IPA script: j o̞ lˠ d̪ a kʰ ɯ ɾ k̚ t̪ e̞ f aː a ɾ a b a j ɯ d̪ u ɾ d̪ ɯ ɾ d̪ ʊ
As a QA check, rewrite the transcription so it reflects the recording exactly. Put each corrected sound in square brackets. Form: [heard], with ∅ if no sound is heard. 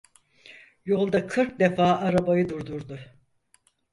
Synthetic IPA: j o̞ lˠ d̪ a kʰ ɯ ɾ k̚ [d̪] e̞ f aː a ɾ a b a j ɯ d̪ u ɾ d̪ [u] ɾ d̪ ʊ